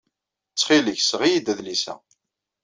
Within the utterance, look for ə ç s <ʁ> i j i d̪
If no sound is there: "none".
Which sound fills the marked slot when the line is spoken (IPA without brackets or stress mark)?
ʁ